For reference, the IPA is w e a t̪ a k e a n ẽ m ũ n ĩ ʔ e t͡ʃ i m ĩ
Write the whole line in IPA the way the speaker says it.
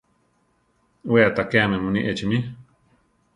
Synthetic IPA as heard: w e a t̪ a k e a m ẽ m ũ n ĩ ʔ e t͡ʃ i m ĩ